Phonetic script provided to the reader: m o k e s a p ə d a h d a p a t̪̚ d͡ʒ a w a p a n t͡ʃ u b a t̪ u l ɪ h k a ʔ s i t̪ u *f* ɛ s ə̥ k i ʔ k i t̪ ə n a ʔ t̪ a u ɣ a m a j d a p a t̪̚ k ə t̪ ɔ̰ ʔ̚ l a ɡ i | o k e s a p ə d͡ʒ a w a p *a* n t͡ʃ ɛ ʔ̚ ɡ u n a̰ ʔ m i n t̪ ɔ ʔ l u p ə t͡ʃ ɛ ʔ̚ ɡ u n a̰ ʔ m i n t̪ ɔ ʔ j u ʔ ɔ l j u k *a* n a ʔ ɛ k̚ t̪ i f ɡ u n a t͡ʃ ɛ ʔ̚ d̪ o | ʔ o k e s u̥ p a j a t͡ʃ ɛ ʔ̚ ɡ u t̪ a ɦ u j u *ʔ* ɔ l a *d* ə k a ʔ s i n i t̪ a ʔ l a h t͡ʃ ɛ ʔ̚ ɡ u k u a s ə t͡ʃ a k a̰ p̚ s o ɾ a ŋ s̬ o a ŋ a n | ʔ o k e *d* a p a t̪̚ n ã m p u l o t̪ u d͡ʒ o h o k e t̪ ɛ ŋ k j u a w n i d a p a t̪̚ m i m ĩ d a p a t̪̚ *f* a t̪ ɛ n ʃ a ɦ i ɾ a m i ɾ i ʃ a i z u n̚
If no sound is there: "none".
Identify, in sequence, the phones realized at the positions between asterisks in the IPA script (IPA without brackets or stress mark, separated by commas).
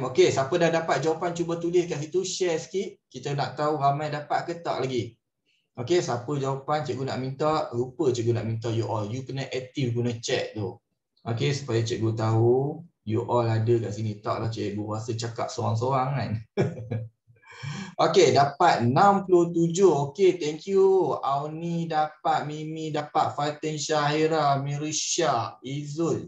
ʃ, a, ə, ʔ, d, d, f